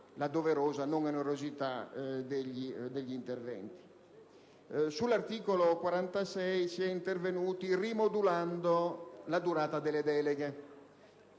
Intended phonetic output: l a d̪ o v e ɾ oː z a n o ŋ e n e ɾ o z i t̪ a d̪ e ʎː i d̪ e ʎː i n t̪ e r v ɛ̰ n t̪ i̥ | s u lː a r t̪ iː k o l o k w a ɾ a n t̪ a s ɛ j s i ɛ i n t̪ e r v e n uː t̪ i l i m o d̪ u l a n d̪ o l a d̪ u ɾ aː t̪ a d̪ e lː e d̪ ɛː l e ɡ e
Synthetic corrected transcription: l a d̪ o v e ɾ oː z a n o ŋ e n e ɾ o z i t̪ a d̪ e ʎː i d̪ e ʎː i n t̪ e r v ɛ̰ n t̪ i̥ | s u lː a r t̪ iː k o l o k w a ɾ a n t̪ a s ɛ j s i ɛ i n t̪ e r v e n uː t̪ i r i m o d̪ u l a n d̪ o l a d̪ u ɾ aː t̪ a d̪ e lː e d̪ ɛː l e ɡ e